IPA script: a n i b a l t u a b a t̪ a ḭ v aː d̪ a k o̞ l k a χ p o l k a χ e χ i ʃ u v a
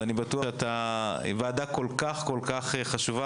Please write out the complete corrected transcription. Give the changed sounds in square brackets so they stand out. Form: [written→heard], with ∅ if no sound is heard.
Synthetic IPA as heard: a n i b a [l→∅] t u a [b→∅] a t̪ a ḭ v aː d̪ a k o̞ l k a χ [p→k] o l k a χ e χ [i→a] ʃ u v a